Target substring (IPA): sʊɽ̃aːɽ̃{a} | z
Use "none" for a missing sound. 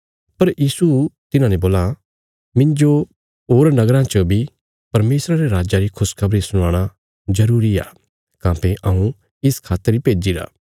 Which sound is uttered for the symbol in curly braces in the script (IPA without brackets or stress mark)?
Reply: a